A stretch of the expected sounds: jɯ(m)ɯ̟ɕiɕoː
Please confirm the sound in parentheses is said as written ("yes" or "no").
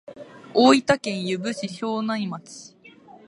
no